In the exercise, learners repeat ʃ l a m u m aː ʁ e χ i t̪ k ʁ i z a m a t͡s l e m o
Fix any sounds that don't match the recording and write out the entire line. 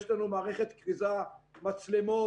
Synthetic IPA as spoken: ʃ l a n u m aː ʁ e χ e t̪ k ʁ i z a m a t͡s l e m o